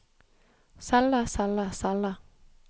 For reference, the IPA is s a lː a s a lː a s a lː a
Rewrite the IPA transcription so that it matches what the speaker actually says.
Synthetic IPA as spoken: s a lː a s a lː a s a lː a